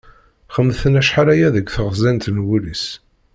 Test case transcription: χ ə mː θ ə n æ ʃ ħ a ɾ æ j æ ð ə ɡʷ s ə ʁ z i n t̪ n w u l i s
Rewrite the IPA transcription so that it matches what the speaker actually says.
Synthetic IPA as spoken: χ ə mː θ ə n æ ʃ ħ a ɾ æ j æ ð ə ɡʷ θ ə ʁ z æ n t̪ n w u l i s